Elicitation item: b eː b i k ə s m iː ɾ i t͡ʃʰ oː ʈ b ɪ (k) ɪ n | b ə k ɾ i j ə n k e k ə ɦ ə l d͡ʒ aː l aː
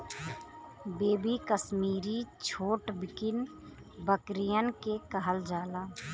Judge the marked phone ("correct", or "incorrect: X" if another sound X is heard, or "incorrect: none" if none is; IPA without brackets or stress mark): correct